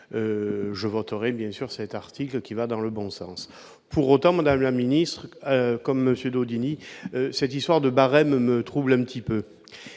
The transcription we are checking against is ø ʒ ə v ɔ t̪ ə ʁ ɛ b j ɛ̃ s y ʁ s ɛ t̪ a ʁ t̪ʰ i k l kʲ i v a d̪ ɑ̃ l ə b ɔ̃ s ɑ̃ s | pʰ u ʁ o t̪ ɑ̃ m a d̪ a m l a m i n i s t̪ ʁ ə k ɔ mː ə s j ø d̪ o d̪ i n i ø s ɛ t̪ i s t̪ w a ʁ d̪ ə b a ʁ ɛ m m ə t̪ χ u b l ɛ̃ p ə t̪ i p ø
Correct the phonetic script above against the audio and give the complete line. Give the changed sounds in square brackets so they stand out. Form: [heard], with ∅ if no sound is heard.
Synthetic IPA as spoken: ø ʒ ə v ɔ t̪ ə ʁ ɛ b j ɛ̃ s y ʁ s ɛ t̪ a ʁ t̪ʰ i k l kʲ i v a d̪ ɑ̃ l ə b ɔ̃ s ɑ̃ s | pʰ u ʁ o t̪ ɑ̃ m a d̪ a m l a m i n i s t̪ [χ] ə k ɔ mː ə s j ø d̪ o d̪ i n i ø s ɛ t̪ i s t̪ w a ʁ d̪ ə b a ʁ ɛ m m ə t̪ χ u b l ɛ̃ p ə t̪ i p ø